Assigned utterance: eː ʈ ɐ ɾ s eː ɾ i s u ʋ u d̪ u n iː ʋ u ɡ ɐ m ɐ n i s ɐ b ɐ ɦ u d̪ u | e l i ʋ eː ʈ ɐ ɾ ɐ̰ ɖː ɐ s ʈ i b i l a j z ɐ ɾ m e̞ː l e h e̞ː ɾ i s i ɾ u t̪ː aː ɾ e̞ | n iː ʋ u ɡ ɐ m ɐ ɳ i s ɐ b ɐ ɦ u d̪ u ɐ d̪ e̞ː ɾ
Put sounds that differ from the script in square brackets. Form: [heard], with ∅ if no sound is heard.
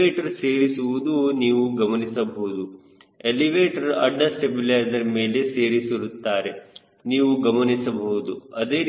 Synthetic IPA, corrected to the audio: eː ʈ ɐ ɾ s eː ɾ i s u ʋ u d̪ u n iː ʋ u ɡ ɐ m ɐ n i s ɐ b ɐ ɦ u d̪ u | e l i ʋ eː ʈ ɐ ɾ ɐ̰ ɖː ɐ s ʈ [e] b i l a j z ɐ ɾ m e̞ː l e [s] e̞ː ɾ i s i ɾ u t̪ː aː ɾ e̞ | n iː ʋ u ɡ ɐ m ɐ [n] i s ɐ b ɐ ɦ u d̪ u ɐ d̪ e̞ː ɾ